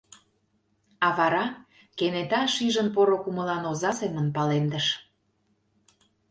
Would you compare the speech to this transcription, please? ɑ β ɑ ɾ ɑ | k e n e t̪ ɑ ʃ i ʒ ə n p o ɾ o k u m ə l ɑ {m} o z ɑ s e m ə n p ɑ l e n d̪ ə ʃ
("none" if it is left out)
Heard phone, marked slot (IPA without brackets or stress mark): n